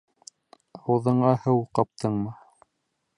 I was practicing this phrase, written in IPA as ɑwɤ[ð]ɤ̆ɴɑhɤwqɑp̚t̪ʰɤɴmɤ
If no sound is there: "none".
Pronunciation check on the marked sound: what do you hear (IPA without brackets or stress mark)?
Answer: ð